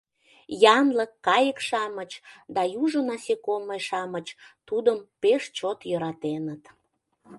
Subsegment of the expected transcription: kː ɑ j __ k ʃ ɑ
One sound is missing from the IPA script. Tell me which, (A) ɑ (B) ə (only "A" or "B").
B